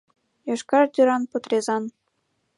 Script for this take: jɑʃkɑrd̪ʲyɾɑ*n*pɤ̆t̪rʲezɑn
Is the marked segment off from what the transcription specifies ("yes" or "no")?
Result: no